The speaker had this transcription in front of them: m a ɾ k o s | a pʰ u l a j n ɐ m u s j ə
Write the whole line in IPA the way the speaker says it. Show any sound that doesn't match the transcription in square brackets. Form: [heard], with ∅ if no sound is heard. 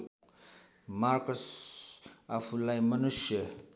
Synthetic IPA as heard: m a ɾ k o s | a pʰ u l a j [m] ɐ [n] u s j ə